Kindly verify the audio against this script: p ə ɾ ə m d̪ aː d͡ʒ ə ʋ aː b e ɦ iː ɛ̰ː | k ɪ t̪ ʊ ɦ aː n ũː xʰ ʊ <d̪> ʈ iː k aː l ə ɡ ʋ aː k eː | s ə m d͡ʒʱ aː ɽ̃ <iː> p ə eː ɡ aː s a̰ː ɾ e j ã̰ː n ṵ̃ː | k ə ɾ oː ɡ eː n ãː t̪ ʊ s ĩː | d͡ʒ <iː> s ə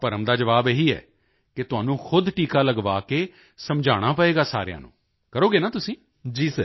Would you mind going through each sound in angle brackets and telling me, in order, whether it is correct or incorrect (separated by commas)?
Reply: correct, incorrect, correct